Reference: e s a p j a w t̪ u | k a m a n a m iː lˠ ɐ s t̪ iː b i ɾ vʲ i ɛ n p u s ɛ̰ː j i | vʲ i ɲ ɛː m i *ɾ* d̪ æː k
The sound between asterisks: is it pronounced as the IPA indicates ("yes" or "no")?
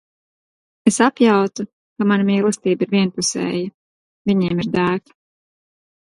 yes